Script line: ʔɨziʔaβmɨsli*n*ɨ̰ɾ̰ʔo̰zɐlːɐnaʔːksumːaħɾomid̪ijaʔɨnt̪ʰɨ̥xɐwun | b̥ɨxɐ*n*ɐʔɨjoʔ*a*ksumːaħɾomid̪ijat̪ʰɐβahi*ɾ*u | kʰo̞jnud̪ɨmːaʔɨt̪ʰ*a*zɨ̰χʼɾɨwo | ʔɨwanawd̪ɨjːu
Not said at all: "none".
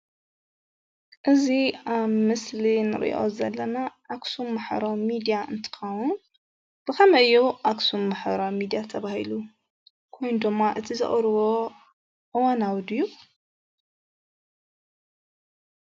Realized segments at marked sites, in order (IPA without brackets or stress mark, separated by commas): n, m, a, l, i